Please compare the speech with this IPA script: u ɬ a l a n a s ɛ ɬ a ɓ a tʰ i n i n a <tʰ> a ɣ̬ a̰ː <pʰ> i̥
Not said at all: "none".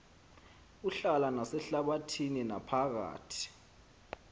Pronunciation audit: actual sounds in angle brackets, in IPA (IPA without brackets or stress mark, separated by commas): pʰ, tʰ